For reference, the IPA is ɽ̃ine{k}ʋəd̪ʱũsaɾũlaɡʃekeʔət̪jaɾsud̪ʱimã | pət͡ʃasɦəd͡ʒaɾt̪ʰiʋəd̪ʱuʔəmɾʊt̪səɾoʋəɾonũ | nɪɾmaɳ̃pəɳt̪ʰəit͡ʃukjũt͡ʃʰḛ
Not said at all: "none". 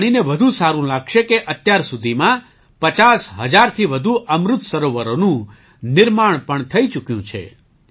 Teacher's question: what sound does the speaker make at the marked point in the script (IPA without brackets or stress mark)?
none